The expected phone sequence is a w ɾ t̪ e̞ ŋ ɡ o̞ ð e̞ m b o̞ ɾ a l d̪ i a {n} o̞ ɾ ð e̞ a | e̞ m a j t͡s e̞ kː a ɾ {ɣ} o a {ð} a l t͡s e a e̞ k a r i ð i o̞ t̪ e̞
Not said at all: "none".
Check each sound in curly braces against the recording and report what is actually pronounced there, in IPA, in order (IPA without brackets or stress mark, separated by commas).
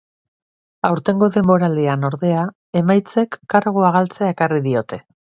n, ɣ, ɣ